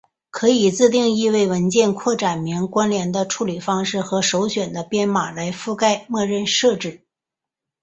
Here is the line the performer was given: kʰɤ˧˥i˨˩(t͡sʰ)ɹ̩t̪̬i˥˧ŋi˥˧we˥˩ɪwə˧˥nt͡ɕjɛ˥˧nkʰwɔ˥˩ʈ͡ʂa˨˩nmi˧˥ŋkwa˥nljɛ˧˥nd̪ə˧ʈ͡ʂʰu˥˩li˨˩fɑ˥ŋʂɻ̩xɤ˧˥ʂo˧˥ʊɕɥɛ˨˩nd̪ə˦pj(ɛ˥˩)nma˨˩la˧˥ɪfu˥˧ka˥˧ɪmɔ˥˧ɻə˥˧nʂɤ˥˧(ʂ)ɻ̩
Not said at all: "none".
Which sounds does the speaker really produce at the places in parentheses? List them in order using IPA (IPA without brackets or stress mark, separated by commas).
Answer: t͡s, ɛ˥, ʈ͡ʂ